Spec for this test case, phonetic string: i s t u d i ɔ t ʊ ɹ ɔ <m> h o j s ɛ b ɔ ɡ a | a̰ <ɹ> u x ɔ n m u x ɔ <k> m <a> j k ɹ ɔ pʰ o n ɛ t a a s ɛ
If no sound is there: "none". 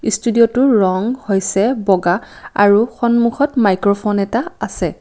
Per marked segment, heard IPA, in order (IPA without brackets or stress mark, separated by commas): ŋ, ɹ, t, a